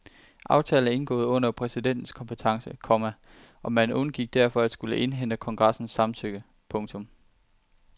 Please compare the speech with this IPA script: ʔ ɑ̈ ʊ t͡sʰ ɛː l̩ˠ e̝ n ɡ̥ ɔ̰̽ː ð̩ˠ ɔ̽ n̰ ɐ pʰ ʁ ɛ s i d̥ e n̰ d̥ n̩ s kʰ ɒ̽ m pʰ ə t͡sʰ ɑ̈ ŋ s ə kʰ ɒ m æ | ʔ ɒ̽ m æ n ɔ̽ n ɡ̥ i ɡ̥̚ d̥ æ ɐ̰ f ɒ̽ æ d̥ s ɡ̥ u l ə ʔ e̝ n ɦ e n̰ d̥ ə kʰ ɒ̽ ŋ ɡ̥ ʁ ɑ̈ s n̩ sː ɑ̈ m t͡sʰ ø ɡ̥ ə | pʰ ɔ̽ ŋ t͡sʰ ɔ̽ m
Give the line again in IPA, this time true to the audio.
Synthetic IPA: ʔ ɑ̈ ʊ t͡sʰ ɛː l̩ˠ e̝ n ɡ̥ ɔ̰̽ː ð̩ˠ ɔ̽ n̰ ɐ pʰ ʁ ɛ s i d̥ e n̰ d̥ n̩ s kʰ ɒ̽ m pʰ ə t͡sʰ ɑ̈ ŋ s ə kʰ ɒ m æ | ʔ ɒ̽ m æ n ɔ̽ n ɡ̥ i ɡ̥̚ d̥ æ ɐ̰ f ɒ̽ æ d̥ s ɡ̥ u l ə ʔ e̝ n ɦ e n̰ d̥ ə kʰ ɒ̽ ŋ ɡ̥ ʁ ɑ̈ s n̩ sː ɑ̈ m t͡sʰ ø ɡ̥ ə | pʰ ɔ̽ ŋ t͡sʰ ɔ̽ m